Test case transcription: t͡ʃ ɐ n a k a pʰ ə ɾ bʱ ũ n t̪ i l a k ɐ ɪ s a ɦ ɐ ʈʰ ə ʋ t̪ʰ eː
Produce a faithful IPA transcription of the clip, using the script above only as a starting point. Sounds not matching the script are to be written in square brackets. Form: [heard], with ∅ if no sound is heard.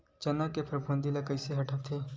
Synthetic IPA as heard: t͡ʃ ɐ n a k [e] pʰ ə ɾ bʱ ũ n [d̪] i l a k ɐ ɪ s [e] ɦ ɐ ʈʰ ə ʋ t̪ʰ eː